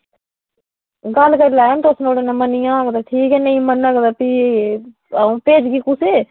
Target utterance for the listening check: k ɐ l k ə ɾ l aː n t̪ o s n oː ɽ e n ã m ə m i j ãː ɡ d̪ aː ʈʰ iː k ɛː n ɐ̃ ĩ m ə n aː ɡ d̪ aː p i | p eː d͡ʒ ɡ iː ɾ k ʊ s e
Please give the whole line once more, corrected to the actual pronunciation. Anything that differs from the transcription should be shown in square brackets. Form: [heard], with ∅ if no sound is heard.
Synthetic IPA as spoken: [ɡ] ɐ l k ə ɾ l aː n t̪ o s n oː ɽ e n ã m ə [n] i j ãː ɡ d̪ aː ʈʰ iː k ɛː n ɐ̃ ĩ m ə n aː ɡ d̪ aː p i | p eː d͡ʒ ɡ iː [∅] k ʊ s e